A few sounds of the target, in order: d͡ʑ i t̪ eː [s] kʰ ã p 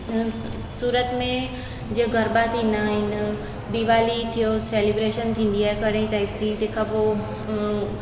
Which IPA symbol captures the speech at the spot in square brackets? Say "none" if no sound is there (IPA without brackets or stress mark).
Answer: none